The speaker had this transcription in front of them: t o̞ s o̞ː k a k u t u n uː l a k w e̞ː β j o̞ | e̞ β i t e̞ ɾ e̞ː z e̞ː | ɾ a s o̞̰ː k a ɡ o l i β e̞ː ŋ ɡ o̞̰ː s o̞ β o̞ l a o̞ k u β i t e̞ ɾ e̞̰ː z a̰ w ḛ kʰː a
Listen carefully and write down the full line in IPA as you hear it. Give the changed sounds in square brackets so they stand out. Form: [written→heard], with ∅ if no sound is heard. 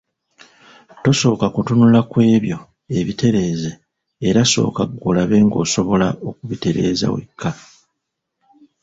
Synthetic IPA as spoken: t o̞ s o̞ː k a k u t u n [uː→u] l a k w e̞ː β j o̞ | e̞ β i t e̞ ɾ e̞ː z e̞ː | ɾ a s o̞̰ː k a ɡ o l [i→a] β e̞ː ŋ ɡ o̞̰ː s o̞ β o̞ l a o̞ k u β i t e̞ ɾ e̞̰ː z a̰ w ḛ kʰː a